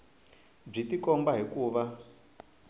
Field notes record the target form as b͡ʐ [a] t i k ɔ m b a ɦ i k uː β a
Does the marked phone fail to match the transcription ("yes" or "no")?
yes